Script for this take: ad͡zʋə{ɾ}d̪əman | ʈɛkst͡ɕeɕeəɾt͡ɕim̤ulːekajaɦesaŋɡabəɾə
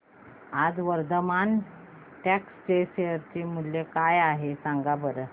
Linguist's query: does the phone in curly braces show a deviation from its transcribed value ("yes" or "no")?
no